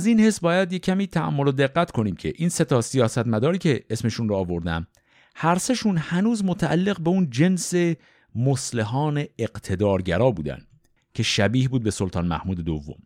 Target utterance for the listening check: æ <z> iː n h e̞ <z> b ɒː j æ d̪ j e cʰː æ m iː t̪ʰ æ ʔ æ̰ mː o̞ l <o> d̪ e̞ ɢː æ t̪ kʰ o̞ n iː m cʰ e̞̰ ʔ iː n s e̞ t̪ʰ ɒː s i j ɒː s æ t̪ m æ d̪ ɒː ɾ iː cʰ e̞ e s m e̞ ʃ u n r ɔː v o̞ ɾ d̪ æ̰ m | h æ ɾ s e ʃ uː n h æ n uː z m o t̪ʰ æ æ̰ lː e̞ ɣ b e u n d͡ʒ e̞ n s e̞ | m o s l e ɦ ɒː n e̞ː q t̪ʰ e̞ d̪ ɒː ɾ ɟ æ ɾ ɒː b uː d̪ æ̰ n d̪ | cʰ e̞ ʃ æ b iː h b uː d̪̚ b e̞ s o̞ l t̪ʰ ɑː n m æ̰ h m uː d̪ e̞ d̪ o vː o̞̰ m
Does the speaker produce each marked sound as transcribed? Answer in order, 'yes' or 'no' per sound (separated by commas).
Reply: yes, no, yes